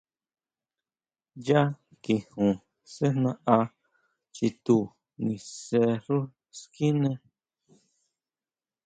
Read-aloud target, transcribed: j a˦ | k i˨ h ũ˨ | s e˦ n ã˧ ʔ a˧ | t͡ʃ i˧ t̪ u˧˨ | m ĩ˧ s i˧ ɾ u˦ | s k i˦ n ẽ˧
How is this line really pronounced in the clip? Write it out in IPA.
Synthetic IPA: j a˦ | k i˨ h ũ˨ | s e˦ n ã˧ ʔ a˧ | t͡ʃ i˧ t̪ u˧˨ | n ĩ˧ s e˧ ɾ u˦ | s k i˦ n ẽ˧